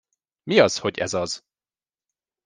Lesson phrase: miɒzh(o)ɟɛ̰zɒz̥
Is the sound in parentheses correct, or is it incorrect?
correct